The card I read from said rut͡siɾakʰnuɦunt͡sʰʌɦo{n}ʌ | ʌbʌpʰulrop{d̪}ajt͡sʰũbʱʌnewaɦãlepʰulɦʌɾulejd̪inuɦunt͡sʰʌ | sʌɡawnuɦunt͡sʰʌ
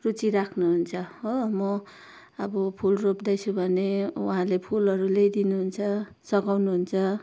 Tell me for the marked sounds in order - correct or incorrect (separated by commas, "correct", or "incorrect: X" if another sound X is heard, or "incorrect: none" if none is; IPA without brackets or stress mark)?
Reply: incorrect: m, correct